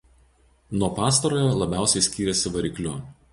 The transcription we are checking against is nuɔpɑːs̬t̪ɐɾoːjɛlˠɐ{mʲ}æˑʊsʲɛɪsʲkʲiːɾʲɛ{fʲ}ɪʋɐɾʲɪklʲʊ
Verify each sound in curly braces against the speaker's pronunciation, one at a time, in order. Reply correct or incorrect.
incorrect: bʲ, incorrect: sʲ

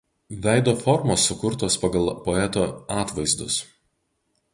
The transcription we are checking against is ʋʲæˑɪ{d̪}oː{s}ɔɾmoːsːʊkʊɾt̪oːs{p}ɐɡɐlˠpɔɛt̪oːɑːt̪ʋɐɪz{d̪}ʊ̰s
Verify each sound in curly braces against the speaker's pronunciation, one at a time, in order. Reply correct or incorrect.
correct, incorrect: f, correct, correct

